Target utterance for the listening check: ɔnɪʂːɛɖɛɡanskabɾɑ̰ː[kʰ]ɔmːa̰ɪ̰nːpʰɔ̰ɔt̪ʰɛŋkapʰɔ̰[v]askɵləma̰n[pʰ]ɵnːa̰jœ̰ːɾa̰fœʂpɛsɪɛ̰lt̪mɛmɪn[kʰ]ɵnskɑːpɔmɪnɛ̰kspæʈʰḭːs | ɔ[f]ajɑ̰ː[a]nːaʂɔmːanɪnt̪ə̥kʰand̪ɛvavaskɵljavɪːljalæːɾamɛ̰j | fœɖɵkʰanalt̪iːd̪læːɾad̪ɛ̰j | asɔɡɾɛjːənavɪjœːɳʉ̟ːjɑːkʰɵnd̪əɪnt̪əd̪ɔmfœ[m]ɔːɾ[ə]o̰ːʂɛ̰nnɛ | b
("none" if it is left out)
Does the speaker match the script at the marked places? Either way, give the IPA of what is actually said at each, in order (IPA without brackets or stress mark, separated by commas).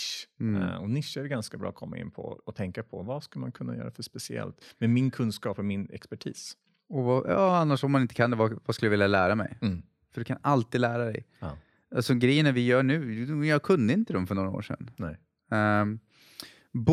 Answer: kʰ, v, kʰ, kʰ, v, a, ɳ, a